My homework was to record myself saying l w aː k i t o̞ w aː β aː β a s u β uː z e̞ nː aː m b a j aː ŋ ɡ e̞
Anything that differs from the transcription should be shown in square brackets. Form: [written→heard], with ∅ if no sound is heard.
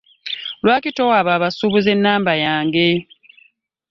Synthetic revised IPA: l w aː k i t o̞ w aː β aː β a s u β [uː→u] z e̞ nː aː m b a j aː ŋ ɡ e̞